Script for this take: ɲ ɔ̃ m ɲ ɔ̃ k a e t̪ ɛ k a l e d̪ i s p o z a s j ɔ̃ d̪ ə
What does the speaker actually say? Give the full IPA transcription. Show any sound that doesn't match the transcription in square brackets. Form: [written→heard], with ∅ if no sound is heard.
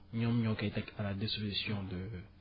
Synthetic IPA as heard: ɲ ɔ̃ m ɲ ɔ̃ k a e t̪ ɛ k a l [e→a] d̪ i s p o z [a→i] s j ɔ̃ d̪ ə